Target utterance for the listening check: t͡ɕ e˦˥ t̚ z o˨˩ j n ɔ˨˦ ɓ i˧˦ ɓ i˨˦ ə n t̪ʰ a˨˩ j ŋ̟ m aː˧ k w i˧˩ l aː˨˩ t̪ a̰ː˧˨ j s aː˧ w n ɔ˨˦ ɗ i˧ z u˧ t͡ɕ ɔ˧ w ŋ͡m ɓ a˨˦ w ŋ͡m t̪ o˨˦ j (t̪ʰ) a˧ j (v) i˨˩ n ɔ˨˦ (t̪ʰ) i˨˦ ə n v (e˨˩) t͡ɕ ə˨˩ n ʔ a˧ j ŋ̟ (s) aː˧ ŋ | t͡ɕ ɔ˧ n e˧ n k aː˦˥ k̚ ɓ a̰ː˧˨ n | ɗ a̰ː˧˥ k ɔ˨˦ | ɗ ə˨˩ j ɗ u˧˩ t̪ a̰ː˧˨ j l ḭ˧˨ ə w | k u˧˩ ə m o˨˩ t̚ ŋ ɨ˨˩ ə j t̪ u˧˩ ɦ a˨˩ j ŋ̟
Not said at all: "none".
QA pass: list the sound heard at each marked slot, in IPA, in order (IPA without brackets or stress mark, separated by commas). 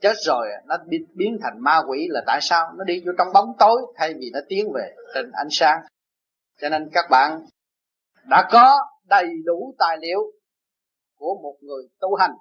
t̪ʰ, v, t̪, e˨˩, s